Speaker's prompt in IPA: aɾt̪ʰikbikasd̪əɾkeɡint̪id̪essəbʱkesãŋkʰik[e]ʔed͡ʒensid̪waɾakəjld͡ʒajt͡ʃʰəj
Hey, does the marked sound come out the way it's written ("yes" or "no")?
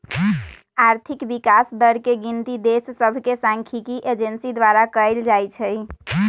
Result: no